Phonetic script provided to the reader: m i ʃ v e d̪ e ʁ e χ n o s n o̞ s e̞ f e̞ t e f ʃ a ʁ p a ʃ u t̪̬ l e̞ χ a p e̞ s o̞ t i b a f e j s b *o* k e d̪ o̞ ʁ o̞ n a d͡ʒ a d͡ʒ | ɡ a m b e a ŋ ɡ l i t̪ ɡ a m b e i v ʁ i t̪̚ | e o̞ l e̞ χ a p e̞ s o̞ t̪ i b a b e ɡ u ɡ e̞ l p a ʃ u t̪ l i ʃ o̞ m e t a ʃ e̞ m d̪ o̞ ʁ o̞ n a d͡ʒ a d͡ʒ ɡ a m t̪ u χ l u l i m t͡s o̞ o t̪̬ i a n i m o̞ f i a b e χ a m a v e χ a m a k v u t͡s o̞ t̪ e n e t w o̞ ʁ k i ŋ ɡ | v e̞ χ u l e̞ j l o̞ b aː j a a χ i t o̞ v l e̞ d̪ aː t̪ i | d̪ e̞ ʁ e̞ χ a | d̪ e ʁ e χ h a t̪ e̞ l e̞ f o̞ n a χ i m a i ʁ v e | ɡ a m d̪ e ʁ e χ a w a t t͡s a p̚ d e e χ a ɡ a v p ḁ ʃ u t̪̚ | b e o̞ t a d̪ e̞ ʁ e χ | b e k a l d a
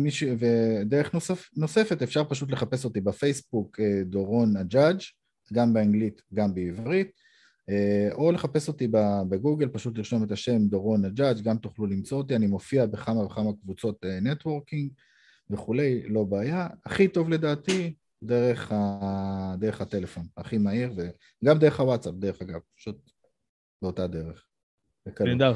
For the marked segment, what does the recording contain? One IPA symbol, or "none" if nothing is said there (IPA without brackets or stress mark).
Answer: u